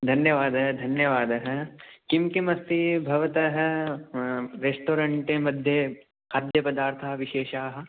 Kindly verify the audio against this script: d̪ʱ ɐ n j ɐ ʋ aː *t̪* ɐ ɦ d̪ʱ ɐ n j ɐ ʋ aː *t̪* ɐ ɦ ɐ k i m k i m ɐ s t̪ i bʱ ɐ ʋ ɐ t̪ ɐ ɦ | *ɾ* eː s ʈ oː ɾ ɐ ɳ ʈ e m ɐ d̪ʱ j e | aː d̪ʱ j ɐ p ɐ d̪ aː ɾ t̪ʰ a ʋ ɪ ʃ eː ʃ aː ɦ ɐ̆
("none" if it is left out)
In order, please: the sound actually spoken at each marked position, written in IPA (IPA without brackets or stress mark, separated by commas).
d̪, d̪, ɾ